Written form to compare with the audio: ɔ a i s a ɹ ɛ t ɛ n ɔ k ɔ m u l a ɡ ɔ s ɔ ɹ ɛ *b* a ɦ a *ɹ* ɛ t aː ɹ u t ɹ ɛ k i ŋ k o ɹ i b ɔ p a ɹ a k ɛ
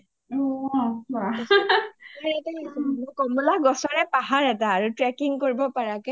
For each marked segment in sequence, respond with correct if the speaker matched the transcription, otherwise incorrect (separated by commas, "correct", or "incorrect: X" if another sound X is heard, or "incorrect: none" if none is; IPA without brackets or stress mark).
incorrect: p, correct